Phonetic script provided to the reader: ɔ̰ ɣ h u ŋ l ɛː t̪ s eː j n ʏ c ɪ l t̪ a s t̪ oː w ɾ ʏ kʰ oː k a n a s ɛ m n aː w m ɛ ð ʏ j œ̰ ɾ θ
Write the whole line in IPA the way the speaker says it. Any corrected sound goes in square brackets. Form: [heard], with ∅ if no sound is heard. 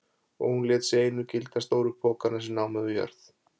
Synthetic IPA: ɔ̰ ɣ h u [n] l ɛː t̪ s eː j n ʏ c ɪ l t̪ a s t̪ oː w ɾ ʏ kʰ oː k a n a s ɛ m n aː w m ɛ ð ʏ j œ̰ ɾ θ